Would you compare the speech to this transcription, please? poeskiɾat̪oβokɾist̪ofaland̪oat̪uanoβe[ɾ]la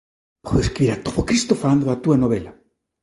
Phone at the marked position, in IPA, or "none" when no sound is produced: none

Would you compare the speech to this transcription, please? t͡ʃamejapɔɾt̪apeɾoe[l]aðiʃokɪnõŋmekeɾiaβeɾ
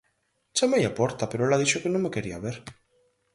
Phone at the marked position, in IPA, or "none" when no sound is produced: l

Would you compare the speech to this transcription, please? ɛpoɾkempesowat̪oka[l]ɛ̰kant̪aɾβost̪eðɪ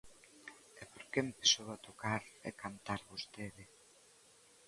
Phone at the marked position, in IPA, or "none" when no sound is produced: ɾ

